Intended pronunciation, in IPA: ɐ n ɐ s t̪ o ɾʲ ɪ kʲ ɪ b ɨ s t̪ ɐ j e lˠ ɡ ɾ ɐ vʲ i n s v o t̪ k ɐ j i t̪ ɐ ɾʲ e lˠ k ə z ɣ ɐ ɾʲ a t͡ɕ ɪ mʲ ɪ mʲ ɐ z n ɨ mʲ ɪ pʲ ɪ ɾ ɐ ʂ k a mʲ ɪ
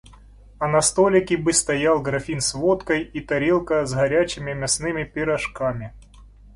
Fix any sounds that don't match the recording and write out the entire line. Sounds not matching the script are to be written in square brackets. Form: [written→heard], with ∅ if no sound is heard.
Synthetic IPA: ɐ n ɐ s t̪ o [ɾʲ→lʲ] ɪ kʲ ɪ b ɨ s t̪ ɐ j [e→a] lˠ ɡ ɾ ɐ [vʲ→fʲ] i n s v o t̪ k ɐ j i t̪ ɐ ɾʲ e lˠ k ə z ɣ ɐ ɾʲ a t͡ɕ ɪ mʲ ɪ mʲ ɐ [z→s] n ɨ mʲ ɪ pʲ ɪ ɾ ɐ ʂ k a mʲ ɪ